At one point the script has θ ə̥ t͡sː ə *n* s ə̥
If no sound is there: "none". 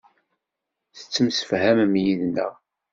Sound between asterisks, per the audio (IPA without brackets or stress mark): m